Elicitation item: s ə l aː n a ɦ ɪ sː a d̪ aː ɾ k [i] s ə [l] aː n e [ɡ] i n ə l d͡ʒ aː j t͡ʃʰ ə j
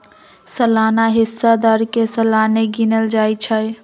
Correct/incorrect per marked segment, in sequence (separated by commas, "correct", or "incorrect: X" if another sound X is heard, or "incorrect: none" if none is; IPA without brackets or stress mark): incorrect: e, correct, correct